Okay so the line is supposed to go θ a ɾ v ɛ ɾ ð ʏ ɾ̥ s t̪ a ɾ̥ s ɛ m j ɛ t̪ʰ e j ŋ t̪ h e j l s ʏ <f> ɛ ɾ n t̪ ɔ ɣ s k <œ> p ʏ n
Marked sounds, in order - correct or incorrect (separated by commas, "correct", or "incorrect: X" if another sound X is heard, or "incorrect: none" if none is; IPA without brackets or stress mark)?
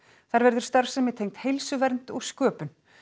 incorrect: v, incorrect: œː